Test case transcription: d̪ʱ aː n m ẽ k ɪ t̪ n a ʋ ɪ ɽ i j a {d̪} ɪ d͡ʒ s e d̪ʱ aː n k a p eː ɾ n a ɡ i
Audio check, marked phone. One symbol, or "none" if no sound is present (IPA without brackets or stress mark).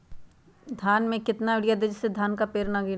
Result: d̪